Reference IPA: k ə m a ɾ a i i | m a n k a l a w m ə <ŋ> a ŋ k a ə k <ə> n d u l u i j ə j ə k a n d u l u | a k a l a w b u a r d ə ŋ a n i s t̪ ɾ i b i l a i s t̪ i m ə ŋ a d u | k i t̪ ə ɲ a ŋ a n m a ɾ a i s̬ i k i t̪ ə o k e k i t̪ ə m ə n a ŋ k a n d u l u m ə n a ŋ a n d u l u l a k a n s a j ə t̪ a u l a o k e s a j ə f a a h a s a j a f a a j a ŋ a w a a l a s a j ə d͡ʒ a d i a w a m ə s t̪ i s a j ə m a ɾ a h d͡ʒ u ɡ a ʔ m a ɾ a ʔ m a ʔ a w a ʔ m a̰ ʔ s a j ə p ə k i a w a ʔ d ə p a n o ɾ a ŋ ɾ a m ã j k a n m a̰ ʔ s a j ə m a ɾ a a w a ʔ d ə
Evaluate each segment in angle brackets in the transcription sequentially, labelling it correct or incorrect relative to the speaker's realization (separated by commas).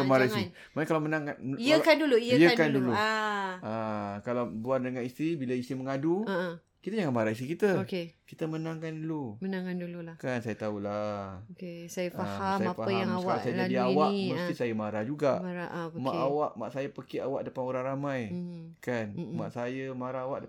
incorrect, incorrect